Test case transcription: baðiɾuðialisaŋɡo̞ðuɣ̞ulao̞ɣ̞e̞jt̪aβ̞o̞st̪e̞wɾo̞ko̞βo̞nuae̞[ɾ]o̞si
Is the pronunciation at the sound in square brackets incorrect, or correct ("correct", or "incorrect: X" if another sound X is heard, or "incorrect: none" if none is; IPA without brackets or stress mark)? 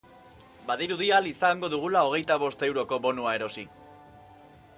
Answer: correct